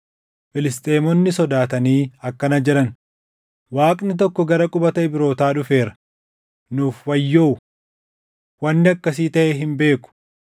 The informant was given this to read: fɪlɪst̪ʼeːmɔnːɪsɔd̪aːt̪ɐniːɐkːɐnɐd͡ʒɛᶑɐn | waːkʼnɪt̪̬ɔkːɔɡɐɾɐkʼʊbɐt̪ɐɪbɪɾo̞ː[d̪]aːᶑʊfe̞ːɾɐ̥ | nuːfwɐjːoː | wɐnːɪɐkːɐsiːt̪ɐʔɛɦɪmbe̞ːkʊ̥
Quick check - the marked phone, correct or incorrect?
incorrect